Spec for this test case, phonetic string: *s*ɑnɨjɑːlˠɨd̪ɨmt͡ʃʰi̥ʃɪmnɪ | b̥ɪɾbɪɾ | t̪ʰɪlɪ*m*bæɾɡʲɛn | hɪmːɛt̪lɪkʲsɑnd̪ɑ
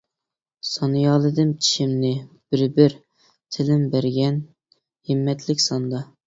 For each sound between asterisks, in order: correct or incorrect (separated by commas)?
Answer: correct, correct